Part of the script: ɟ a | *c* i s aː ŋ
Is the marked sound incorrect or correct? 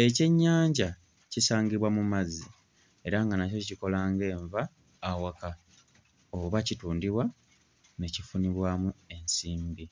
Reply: correct